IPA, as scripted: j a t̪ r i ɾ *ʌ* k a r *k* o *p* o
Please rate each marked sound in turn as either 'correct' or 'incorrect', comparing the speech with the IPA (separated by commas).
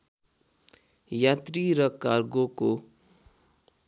correct, incorrect, incorrect